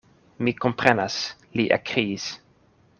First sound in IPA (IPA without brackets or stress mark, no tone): m